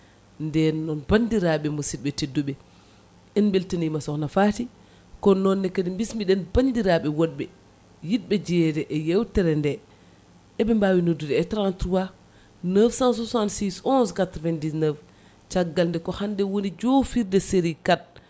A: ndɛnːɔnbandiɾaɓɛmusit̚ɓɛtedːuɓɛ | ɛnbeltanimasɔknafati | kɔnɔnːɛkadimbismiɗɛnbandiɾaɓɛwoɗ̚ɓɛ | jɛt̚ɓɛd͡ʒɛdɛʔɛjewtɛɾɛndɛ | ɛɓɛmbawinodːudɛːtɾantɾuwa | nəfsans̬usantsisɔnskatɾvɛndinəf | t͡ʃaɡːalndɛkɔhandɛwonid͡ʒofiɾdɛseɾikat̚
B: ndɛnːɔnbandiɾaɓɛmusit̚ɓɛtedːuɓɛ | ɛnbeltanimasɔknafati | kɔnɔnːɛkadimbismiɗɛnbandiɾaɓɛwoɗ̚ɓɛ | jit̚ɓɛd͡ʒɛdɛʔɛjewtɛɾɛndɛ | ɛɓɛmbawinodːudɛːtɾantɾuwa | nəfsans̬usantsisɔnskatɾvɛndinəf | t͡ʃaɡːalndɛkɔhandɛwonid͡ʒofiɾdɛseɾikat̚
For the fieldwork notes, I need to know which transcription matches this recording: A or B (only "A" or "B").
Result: B